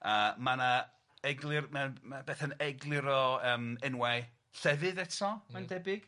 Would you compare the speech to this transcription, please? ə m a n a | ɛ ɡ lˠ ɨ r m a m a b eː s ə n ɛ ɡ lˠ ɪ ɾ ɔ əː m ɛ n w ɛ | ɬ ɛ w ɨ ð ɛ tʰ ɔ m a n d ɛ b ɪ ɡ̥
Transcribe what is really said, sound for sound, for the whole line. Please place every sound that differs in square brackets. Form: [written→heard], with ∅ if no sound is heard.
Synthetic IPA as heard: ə m a n a | ɛ ɡ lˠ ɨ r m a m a b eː [s→θ] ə n ɛ ɡ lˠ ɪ ɾ ɔ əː m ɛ n w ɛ | ɬ ɛ [w→v] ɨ ð ɛ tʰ ɔ m a n d ɛ b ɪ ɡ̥